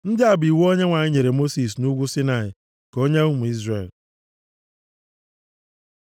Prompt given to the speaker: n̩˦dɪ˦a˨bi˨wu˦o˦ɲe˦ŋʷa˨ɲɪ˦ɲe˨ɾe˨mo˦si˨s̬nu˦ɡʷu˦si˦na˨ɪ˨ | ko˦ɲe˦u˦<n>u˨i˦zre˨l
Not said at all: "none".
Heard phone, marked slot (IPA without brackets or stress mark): m